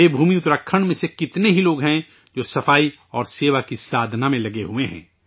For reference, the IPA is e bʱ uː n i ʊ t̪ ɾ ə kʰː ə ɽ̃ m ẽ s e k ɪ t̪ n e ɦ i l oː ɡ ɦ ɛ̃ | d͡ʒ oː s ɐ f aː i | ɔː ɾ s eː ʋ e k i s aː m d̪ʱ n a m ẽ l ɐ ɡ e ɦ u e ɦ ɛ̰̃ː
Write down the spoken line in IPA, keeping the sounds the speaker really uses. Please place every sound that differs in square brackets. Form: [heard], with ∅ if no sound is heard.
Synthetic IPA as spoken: e bʱ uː [m] i ʊ t̪ ɾ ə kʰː ə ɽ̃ m ẽ s e k ɪ t̪ n e ɦ i l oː ɡ ɦ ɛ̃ | d͡ʒ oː s ɐ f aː i | ɔː ɾ s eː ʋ [a] k i s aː [∅] d̪ʱ n a m ẽ l ɐ ɡ e ɦ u e ɦ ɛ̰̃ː

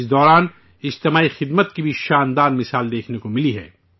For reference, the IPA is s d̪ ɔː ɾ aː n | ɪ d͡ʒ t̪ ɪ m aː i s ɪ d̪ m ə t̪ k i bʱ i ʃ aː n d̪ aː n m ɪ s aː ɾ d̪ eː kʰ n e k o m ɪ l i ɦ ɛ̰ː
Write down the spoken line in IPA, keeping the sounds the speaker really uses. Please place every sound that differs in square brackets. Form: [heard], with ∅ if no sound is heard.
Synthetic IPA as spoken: s d̪ ɔː ɾ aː n | ɪ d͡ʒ t̪ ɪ m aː i [x] ɪ d̪ m ə t̪ k i bʱ i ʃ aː n d̪ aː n m ɪ s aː [l] d̪ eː kʰ n e k o m ɪ l i ɦ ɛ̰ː

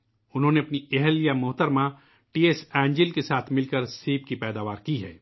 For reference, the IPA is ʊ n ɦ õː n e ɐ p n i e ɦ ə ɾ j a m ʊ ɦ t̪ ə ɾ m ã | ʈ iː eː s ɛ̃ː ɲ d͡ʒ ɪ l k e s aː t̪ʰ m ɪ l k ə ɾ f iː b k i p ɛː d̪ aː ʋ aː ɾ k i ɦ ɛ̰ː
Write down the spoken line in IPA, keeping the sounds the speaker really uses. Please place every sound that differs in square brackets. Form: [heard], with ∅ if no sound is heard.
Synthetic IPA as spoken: ʊ n ɦ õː n e ɐ p n i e ɦ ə [l] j a m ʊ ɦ t̪ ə ɾ m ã | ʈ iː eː s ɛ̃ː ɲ d͡ʒ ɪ l k e s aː t̪ʰ m ɪ l k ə ɾ [s] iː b k i p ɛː d̪ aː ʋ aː ɾ k i ɦ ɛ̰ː

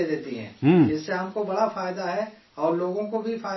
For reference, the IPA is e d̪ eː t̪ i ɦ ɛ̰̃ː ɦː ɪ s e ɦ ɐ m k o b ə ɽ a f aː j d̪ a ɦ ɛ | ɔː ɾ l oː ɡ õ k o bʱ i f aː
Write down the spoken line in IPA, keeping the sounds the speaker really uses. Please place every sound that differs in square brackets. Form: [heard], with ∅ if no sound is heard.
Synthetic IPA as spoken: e d̪ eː t̪ i ɦ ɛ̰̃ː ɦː ɪ [sː] e ɦ ɐ m k o b [ɐ] ɽ a f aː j d̪ a ɦ ɛ | ɔː ɾ l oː ɡ õ k o bʱ i f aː

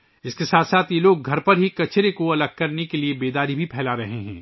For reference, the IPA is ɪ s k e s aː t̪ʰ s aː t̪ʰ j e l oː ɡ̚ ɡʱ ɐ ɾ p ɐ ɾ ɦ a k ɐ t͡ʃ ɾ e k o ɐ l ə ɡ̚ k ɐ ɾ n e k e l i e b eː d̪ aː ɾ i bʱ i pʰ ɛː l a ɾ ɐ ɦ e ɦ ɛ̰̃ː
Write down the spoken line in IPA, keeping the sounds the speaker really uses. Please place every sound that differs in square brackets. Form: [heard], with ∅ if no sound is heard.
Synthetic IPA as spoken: ɪ s k e s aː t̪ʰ s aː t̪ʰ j e l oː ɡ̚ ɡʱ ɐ ɾ p ɐ ɾ ɦ [i] k ɐ t͡ʃ ɾ e k o ɐ l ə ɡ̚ k ɐ ɾ n e k e l i e b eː d̪ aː ɾ i bʱ i pʰ ɛː l a ɾ ɐ ɦ e ɦ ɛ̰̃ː

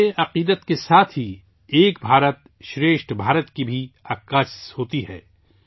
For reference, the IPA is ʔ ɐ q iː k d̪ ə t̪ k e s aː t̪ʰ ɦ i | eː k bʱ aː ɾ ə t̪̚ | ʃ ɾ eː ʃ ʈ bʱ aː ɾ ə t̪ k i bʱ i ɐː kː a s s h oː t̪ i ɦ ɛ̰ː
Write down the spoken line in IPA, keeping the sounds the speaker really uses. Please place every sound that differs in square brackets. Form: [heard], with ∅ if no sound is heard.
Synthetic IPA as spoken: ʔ ɐ q iː [∅] d̪ ə t̪ k e s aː t̪ʰ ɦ i | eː k bʱ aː ɾ ə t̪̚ | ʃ ɾ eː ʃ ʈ bʱ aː ɾ ə t̪ k i bʱ i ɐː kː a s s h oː t̪ i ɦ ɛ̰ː

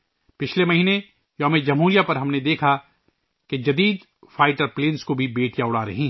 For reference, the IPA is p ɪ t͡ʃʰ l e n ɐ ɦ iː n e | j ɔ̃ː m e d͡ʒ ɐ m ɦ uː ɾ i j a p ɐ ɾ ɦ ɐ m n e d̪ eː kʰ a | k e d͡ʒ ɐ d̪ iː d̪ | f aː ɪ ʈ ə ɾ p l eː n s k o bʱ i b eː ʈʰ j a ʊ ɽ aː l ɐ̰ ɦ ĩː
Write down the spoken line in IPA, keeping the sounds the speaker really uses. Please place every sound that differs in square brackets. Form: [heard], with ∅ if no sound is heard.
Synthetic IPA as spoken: p ɪ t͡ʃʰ l e [m] ɐ ɦ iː n e | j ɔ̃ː m e d͡ʒ ɐ m ɦ uː ɾ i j a p ɐ ɾ ɦ ɐ m n e d̪ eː kʰ a | k e d͡ʒ ɐ d̪ iː d̪ | f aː ɪ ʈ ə ɾ p l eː n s k o bʱ i b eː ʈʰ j a ʊ ɽ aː [ɾ] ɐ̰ ɦ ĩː

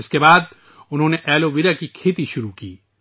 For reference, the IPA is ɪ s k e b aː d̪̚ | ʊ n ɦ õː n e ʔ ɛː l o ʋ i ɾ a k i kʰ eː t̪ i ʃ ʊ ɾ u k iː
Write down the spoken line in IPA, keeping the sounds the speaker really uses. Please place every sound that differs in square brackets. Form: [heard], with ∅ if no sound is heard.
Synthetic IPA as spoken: ɪ s k e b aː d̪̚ | ʊ n ɦ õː n e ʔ ɛː l o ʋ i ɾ a k i kʰ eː t̪ i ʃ ʊ ɾ u k iː

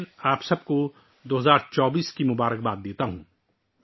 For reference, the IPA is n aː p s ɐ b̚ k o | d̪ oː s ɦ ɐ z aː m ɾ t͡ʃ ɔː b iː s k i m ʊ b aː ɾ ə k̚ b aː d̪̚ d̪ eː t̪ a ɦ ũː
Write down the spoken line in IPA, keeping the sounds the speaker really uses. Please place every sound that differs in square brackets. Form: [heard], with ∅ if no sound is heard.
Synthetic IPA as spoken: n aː p s ɐ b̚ k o | d̪ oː [∅] ɦ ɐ z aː [∅] ɾ t͡ʃ ɔː b iː s k i m ʊ b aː ɾ ə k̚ b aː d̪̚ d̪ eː t̪ a ɦ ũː

